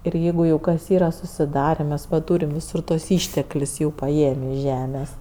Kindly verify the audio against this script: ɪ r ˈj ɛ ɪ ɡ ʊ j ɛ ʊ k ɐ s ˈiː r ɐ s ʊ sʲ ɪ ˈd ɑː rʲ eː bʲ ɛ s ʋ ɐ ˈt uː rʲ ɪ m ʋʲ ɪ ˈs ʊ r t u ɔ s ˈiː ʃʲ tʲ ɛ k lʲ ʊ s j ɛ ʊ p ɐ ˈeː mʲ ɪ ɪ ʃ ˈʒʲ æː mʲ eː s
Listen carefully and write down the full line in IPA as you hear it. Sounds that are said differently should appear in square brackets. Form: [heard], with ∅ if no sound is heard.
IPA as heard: ɪ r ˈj ɛ ɪ ɡ ʊ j ɛ ʊ k ɐ s ˈiː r ɐ s ʊ sʲ ɪ ˈd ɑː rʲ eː [mʲ] ɛ s ʋ ɐ ˈt uː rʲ ɪ m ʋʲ ɪ ˈs ʊ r t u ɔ s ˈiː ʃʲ tʲ ɛ k lʲ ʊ s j ɛ ʊ p ɐ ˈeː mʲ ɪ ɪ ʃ ˈʒʲ æː mʲ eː s